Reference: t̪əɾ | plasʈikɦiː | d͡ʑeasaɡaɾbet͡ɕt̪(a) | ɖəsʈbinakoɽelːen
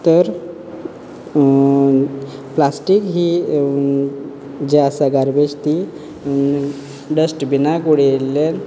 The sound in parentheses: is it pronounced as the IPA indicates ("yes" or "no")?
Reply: no